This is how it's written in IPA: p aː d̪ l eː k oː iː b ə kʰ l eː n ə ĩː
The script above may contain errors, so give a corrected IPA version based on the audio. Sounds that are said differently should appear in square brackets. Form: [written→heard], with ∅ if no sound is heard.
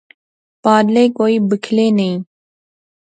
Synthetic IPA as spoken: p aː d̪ l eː k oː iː b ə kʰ l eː n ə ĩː